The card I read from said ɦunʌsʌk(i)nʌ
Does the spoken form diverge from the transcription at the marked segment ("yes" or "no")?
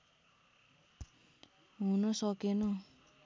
yes